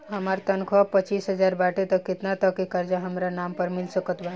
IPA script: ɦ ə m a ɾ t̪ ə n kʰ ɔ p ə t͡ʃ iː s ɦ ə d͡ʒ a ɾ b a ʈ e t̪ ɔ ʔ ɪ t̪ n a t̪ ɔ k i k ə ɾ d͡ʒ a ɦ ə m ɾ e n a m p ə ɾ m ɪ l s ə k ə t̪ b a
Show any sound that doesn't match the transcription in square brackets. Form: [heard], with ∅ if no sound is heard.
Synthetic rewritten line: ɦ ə m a ɾ t̪ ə n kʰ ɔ p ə t͡ʃ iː s ɦ ə d͡ʒ a ɾ b a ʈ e t̪ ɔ [k] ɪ t̪ n a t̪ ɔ k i k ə ɾ d͡ʒ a ɦ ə m ɾ [a] n a m p ə ɾ m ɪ l s ə k ə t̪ b a